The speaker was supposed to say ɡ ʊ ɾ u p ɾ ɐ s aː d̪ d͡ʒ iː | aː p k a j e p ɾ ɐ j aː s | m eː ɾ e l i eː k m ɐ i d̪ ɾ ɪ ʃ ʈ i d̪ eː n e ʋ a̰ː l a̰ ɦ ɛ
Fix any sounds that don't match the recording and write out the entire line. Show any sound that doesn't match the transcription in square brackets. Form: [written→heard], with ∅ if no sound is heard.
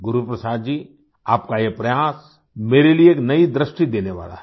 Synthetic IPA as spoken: ɡ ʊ ɾ u p ɾ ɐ s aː d̪ d͡ʒ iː | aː p k a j e p ɾ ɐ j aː s | m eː ɾ e l i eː k [m→n] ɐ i d̪ ɾ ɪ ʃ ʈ i d̪ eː n e ʋ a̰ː l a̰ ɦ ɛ

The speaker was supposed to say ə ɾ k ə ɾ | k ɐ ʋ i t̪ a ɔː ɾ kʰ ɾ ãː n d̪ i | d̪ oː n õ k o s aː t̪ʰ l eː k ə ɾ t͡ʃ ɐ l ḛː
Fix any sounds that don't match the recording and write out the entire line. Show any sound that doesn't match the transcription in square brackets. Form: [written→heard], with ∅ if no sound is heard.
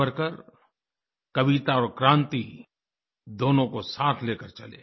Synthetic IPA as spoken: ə ɾ k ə ɾ | k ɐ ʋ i t̪ a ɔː ɾ [kʰ→k] ɾ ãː n [d̪→t̪] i | d̪ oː n õ k o s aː t̪ʰ l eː k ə ɾ t͡ʃ ɐ l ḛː

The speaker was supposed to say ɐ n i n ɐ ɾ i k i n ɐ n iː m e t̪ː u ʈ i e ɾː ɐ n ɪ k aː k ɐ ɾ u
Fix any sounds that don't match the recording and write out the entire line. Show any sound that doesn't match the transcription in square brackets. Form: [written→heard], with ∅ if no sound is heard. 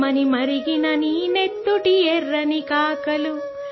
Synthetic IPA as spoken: ɐ n i [n→m] ɐ ɾ i [k→ɡ] i n ɐ n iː [m→n] e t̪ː u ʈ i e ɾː ɐ n [ɪ→i] k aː k ɐ [ɾ→l] u

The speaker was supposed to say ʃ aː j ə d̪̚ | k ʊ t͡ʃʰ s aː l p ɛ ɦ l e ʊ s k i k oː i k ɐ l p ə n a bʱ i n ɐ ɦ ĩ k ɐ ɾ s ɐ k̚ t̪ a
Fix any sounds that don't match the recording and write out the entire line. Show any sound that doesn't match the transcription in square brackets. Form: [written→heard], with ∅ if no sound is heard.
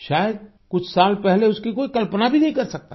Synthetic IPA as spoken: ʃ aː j ə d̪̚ | k ʊ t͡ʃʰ s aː l p ɛ ɦ l e ʊ s k i k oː i k ɐ l p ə n a bʱ i n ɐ ɦ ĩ k ɐ ɾ s ɐ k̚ t̪ a

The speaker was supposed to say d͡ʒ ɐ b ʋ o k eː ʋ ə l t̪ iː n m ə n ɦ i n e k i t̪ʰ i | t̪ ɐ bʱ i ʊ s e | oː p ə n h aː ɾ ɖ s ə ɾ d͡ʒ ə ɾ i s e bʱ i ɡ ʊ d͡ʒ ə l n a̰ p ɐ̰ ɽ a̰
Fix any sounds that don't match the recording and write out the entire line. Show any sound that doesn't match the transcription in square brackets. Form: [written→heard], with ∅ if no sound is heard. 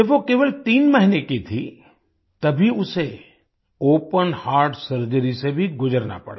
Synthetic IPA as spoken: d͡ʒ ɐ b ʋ o k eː ʋ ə l t̪ iː n m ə [n→∅] ɦ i n e k i t̪ʰ i | t̪ ɐ bʱ i ʊ s e | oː p ə n h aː ɾ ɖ s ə ɾ d͡ʒ ə ɾ i s e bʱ i ɡ ʊ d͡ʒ ə [l→ɾ] n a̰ p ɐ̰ ɽ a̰

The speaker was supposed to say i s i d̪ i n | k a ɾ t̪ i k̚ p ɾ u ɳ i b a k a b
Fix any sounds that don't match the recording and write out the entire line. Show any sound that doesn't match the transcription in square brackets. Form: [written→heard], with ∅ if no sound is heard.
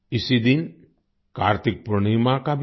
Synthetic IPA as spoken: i s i d̪ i n | k a ɾ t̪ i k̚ p ɾ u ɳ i [b→m] a k a b

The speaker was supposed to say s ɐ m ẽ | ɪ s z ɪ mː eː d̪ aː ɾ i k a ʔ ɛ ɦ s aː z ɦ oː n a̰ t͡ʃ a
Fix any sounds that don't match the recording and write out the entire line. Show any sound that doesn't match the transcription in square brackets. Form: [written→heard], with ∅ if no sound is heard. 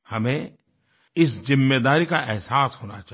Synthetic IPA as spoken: [s→h] ɐ m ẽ | ɪ s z ɪ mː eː d̪ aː ɾ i k a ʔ ɛ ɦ s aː [z→s] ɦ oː n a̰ t͡ʃ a

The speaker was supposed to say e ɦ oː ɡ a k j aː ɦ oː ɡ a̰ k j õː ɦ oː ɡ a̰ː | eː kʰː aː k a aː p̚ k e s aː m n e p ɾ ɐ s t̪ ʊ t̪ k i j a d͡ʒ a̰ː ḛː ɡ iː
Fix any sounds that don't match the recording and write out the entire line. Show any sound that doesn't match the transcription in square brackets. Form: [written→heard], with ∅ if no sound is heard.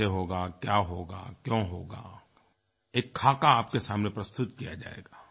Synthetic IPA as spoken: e ɦ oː ɡ a k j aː ɦ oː ɡ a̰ k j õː ɦ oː ɡ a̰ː | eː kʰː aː k a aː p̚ k e s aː m n e p ɾ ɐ s t̪ ʊ t̪ k i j a d͡ʒ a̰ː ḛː ɡ [iː→aː]

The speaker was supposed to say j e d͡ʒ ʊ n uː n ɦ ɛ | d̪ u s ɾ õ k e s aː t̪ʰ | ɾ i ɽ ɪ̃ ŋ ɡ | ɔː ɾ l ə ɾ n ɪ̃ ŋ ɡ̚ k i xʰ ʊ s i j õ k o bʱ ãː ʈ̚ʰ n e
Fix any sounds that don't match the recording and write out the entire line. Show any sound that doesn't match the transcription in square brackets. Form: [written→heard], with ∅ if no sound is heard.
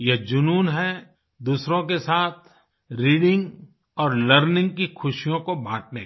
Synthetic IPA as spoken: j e d͡ʒ ʊ n uː n ɦ ɛ | d̪ [u→uː] s ɾ õ k e s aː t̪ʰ | ɾ [i→iː] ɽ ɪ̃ ŋ ɡ | ɔː ɾ l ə ɾ n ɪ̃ ŋ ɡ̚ k i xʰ ʊ [s→ʃ] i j õ k o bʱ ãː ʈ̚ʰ n e

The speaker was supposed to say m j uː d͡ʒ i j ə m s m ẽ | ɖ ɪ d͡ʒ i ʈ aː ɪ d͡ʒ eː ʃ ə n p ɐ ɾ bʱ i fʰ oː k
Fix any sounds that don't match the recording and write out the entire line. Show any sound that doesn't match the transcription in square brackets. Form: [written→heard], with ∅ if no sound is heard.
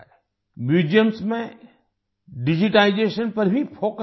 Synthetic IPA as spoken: m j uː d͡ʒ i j ə m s m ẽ | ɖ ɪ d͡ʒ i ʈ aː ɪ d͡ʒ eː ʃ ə n p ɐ ɾ bʱ i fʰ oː k

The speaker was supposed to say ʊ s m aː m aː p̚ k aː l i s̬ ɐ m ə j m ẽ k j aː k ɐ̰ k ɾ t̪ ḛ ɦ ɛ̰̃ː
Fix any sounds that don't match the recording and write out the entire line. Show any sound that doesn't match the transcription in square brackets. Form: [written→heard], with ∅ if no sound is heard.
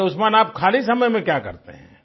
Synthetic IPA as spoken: ʊ s m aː [m→n] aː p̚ [k→kʰ] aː l i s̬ ɐ m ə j m ẽ k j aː k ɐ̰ [k→∅] ɾ t̪ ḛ ɦ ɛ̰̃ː

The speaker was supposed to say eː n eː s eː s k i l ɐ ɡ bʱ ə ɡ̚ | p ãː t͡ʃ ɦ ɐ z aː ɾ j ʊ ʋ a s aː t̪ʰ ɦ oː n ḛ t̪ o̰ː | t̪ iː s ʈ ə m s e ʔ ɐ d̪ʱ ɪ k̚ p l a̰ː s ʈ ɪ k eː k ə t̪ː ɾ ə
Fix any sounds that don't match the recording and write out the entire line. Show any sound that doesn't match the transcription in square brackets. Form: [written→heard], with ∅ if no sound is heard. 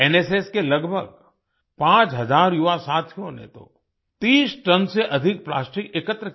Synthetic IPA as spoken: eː n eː s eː s k [i→e] l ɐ ɡ bʱ ə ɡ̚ | p ãː t͡ʃ ɦ ɐ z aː ɾ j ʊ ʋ a s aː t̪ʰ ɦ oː n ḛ t̪ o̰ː | t̪ iː s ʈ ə [m→n] s e ʔ ɐ d̪ʱ ɪ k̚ p l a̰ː s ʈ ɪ k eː k ə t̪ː ɾ ə

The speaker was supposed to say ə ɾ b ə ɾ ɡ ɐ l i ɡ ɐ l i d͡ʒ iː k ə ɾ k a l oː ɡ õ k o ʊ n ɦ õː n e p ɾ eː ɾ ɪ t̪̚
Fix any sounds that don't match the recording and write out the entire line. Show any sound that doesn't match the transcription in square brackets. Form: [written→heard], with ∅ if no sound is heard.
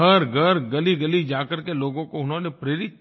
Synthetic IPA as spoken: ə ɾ [b→ɡ] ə ɾ ɡ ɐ l i ɡ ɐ l i d͡ʒ [iː→aː] k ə ɾ k [a→e] l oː ɡ õ k o ʊ n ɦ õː n e p ɾ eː ɾ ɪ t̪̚

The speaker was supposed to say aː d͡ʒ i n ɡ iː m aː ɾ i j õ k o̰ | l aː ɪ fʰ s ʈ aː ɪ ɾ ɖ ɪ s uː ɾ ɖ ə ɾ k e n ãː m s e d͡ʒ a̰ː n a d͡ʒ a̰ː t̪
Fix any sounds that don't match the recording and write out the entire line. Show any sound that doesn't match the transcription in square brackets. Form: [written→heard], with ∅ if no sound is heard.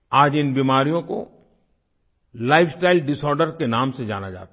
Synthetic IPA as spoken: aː d͡ʒ [i→ɪ] n [ɡ→b] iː m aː ɾ i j õ k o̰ | l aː ɪ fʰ s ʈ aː ɪ [ɾ→l] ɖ ɪ s [uː→ɔː] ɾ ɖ ə ɾ k e n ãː m s e d͡ʒ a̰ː n a d͡ʒ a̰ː t̪

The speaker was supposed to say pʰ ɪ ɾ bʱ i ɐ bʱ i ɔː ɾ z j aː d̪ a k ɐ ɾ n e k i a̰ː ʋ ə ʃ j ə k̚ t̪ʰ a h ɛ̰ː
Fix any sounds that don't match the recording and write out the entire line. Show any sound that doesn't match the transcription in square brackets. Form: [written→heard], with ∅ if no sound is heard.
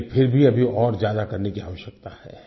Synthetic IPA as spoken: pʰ ɪ ɾ bʱ i ɐ bʱ i ɔː ɾ z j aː d̪ a k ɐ ɾ n e k i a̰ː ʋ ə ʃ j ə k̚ [t̪ʰ→t̪] a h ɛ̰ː

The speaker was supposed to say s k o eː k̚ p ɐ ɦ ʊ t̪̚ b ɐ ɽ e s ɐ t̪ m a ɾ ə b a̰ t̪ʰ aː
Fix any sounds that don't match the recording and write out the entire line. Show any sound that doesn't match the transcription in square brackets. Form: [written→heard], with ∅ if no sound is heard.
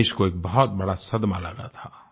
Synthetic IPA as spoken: [s→ʃ] k o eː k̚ [p→b] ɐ ɦ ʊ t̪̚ b ɐ ɽ [e→a] s ɐ [t̪→d̪] m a [ɾ→l] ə [b→ɡ] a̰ t̪ʰ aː

